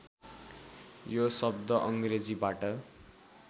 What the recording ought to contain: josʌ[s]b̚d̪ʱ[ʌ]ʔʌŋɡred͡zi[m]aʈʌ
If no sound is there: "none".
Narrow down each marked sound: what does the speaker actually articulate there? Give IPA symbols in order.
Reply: none, ʌ, b

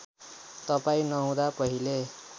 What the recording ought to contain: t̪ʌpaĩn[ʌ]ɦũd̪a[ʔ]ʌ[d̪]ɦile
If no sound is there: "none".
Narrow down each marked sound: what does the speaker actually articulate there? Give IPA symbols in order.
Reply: ʌ, p, none

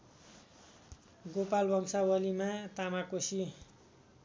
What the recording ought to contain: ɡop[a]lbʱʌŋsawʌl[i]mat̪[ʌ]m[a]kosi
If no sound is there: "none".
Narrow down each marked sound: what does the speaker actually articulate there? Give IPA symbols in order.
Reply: a, i, a, a

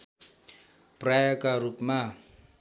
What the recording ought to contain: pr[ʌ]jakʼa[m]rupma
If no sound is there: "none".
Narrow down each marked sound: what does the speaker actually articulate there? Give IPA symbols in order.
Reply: a, none

